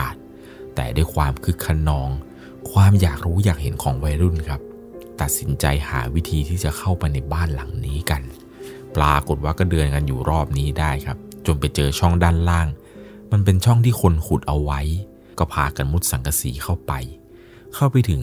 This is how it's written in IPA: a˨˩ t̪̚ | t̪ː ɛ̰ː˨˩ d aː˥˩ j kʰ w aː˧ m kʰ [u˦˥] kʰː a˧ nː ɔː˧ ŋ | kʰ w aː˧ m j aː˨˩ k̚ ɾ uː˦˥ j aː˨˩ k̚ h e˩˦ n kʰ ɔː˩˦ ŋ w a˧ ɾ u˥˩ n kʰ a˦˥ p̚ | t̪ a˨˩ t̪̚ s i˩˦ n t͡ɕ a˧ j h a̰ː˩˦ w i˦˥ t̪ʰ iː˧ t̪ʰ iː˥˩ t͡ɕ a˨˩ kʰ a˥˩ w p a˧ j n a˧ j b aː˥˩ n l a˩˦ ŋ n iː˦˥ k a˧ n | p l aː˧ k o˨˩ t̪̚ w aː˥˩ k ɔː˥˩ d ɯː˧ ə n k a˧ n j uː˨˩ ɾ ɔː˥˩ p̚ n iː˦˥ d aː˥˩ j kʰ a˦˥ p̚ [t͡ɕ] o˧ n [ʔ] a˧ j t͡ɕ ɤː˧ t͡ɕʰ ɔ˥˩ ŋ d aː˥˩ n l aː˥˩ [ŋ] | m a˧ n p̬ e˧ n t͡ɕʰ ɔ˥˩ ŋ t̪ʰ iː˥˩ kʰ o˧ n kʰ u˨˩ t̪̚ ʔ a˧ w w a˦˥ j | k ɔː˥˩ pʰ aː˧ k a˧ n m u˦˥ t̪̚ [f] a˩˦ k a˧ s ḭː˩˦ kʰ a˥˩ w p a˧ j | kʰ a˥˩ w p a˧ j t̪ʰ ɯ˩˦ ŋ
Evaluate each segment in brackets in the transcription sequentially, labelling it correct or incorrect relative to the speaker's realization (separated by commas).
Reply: incorrect, correct, incorrect, correct, incorrect